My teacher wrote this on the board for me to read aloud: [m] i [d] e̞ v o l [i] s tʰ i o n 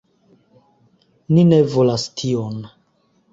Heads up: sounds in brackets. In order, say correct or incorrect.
incorrect: n, incorrect: n, incorrect: a

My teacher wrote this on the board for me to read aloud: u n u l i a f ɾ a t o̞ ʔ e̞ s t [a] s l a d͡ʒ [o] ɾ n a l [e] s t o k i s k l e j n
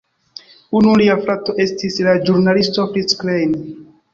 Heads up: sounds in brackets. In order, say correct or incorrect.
incorrect: i, incorrect: u, incorrect: i

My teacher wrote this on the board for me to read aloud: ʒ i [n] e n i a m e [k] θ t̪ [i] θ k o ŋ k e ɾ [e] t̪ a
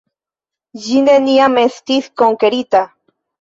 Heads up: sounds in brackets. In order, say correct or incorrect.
correct, incorrect: none, correct, incorrect: i

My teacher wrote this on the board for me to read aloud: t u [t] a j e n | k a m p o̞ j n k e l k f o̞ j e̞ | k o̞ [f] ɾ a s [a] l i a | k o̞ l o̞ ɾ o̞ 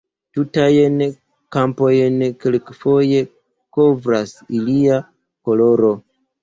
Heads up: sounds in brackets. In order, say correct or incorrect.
correct, incorrect: v, incorrect: i

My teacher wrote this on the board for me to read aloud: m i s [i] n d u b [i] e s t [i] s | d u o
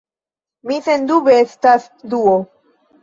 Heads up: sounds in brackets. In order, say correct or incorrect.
incorrect: e, incorrect: e, incorrect: a

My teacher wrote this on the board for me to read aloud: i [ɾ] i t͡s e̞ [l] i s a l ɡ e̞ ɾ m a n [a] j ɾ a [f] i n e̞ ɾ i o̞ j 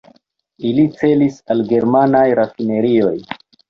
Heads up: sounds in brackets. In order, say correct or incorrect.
incorrect: l, correct, correct, correct

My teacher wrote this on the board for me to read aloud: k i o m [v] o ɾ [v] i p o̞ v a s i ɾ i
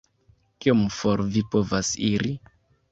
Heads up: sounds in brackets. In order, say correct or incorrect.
incorrect: f, correct

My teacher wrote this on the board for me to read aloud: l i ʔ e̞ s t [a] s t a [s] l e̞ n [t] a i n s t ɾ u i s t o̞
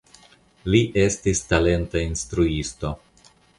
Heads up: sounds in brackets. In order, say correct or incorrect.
incorrect: i, incorrect: none, correct

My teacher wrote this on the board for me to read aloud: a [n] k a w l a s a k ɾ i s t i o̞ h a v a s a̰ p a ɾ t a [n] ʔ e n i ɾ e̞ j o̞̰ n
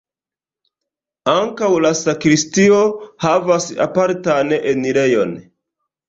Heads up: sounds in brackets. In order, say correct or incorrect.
incorrect: ŋ, correct

